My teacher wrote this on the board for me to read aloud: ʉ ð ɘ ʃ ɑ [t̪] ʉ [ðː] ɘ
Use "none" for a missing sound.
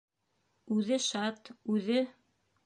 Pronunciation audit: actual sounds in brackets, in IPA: t̪, ð

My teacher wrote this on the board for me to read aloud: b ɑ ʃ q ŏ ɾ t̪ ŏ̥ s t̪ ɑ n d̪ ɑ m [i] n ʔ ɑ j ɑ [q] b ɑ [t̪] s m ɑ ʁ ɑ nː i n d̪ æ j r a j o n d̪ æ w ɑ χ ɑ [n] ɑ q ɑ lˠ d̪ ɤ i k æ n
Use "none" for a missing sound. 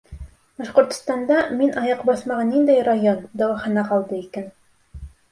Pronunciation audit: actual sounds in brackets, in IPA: i, q, none, n

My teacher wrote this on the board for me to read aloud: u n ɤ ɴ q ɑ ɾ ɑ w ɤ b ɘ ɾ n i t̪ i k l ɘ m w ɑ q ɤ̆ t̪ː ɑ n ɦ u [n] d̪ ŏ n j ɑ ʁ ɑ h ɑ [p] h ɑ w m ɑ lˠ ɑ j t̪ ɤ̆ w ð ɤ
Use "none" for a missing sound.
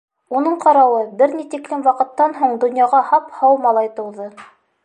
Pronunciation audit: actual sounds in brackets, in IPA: ɴ, p

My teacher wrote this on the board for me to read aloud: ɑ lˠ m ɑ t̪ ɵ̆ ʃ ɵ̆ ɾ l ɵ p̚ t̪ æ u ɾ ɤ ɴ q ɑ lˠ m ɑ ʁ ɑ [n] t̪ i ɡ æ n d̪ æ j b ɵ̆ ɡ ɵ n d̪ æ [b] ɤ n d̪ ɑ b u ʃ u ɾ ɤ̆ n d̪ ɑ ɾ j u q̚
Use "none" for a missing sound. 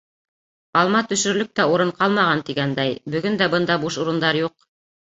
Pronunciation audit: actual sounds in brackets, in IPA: n, b

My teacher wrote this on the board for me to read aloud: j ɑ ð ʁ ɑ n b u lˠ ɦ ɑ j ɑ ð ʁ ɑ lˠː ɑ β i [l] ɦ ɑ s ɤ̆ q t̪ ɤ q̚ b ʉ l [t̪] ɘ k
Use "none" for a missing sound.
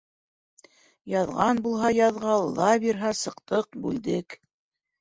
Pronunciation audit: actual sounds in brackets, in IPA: ɾ, d̪

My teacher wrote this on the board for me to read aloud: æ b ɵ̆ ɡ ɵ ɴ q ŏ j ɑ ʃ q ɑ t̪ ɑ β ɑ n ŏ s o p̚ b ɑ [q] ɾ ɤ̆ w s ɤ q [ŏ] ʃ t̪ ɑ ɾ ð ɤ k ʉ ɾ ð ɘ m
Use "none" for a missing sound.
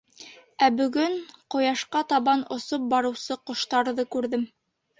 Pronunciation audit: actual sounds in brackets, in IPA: none, ŏ

